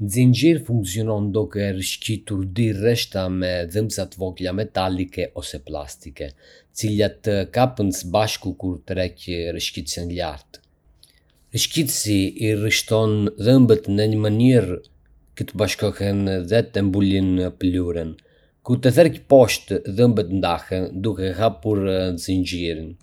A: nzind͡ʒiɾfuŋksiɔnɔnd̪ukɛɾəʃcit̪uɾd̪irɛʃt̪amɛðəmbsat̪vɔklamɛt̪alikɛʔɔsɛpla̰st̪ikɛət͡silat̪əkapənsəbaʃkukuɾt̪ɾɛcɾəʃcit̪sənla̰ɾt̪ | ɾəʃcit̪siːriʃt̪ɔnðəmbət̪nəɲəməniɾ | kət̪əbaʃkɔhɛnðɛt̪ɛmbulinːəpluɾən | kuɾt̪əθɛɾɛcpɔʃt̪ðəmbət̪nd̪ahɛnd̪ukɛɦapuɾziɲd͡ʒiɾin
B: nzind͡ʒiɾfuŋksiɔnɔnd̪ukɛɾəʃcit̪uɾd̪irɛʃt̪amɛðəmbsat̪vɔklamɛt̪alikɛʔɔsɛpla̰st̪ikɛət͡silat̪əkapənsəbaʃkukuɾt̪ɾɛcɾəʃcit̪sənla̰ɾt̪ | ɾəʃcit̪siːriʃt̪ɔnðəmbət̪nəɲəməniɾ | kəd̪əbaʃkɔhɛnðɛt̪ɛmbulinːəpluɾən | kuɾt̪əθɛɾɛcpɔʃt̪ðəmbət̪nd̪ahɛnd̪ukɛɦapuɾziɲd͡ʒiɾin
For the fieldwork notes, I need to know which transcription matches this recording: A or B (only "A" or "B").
A